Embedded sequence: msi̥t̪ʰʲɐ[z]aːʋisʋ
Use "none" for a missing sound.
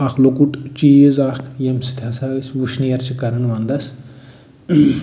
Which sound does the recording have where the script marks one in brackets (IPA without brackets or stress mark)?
s